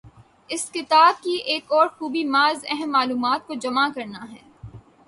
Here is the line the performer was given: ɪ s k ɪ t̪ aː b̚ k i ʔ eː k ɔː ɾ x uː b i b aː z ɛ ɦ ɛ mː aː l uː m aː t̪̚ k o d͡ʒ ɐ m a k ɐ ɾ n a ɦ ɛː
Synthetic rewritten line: ɪ s k ɪ t̪ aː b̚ k i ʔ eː k ɔː ɾ x uː b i m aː z ɛ ɦ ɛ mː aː l uː m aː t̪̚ k o d͡ʒ ɐ m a k ɐ ɾ n a ɦ ɛː